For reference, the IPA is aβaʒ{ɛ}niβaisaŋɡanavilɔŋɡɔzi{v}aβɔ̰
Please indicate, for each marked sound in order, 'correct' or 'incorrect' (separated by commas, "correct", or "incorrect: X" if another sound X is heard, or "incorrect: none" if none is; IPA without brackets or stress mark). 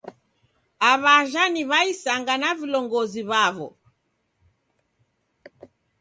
incorrect: a, incorrect: β